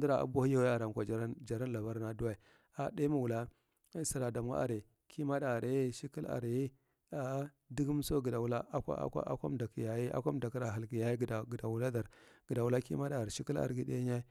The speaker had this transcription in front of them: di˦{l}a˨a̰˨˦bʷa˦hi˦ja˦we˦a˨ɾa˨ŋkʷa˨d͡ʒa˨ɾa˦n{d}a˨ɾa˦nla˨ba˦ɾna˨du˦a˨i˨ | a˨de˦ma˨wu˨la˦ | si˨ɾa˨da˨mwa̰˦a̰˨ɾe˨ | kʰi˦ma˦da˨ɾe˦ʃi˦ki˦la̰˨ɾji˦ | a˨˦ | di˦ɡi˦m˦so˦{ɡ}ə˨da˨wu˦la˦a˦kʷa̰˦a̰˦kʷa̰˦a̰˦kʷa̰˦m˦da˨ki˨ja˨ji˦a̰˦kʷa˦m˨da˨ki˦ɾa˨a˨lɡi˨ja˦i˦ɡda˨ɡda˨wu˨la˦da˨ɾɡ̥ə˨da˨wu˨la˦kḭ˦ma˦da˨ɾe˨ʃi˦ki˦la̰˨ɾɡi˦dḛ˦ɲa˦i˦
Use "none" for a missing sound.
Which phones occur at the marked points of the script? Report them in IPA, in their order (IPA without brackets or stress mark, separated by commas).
ɾ, d͡ʒ, ɡ